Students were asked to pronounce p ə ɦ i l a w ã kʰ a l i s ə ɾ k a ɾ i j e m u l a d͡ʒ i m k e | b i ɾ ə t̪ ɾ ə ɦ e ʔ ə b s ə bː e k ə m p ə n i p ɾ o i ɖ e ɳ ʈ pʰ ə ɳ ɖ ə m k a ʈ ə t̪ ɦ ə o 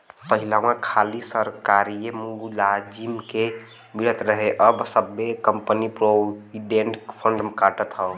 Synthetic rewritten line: p ə ɦ i l a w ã kʰ a l i s ə ɾ k a ɾ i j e m u l a d͡ʒ i m k e | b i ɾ ə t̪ ɾ ə ɦ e ʔ ə b s ə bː e k ə m p ə n i p ɾ o i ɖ e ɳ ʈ pʰ ə ɳ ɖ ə m k a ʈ ə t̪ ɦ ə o